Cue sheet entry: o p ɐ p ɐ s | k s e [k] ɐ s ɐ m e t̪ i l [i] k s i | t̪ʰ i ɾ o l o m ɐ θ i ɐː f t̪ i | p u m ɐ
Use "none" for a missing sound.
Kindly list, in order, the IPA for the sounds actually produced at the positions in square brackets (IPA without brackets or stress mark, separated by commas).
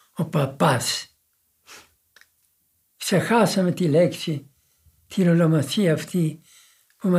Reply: x, e